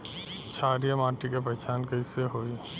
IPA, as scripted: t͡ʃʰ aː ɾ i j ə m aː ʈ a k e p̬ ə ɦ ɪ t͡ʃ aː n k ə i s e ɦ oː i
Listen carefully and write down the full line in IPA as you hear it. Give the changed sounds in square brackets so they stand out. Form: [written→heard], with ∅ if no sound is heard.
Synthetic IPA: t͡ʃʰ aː ɾ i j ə m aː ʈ [a→i] k e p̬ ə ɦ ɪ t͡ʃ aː n k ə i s e ɦ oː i